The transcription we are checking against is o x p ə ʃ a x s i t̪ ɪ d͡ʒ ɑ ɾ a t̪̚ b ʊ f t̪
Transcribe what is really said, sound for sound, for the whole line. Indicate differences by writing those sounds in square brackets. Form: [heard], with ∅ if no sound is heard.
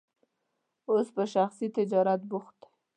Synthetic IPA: o [s] p ə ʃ a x s i t̪ ɪ d͡ʒ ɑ ɾ a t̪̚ b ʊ [x] t̪